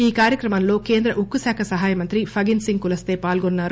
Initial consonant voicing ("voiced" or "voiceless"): voiceless